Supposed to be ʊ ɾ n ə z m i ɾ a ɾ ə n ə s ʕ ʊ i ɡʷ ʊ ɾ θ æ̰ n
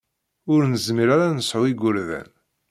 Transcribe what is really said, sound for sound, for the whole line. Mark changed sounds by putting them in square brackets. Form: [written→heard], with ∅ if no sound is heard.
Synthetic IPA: ʊ ɾ n ə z m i ɾ a ɾ [ə→a] n ə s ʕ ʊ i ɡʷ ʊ ɾ [θ→ð] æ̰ n